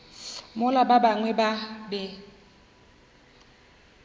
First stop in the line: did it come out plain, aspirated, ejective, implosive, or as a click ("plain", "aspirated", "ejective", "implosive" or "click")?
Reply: plain